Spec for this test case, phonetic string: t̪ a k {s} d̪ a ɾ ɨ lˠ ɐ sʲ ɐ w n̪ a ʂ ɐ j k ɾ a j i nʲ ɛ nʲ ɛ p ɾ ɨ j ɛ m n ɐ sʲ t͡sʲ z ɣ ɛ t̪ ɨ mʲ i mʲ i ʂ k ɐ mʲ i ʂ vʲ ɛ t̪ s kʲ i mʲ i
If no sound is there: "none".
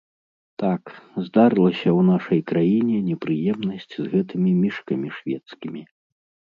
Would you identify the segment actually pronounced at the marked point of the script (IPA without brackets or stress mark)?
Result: z